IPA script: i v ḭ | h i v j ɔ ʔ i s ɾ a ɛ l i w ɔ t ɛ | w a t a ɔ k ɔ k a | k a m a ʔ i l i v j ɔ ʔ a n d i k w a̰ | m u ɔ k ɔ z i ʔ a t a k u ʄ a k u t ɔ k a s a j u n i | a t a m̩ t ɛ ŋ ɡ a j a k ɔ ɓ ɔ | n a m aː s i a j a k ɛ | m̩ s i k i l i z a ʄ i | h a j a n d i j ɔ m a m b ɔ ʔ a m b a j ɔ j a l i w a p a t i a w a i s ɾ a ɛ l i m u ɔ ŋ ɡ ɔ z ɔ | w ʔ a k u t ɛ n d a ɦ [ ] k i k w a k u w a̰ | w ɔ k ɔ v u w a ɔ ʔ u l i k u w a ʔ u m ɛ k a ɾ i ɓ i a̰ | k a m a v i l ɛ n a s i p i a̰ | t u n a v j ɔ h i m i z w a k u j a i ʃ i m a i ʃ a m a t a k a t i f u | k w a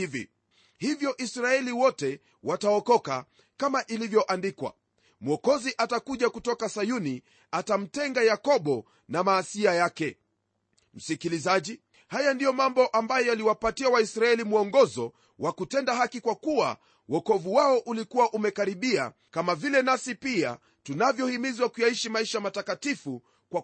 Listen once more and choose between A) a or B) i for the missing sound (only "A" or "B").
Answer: A